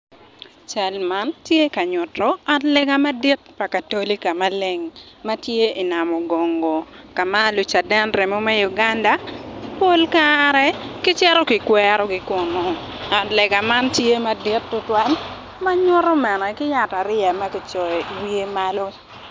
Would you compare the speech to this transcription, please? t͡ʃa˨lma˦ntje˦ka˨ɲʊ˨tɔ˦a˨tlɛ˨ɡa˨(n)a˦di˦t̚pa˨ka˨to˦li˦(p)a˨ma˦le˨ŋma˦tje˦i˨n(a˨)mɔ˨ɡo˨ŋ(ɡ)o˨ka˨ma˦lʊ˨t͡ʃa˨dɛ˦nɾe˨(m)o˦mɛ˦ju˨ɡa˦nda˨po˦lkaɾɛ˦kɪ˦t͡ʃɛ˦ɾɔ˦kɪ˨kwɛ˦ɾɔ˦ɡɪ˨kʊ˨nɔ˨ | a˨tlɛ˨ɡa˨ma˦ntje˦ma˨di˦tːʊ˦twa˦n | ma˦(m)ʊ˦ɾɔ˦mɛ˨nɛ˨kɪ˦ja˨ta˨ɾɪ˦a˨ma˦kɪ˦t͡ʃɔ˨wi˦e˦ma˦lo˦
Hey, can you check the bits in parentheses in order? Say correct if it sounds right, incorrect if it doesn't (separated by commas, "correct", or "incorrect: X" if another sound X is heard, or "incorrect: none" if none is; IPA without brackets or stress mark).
incorrect: m, incorrect: k, correct, correct, correct, incorrect: ɲ